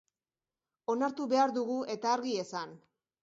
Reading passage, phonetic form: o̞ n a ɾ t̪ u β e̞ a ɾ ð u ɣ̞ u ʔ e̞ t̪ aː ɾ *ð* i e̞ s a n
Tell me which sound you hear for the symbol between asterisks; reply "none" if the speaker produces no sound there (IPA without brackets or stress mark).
ɣ